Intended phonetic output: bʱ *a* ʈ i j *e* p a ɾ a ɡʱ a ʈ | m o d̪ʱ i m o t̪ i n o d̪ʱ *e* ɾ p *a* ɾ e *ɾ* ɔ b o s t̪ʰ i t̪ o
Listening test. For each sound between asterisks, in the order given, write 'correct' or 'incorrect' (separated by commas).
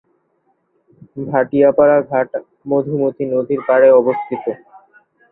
correct, incorrect, incorrect, correct, incorrect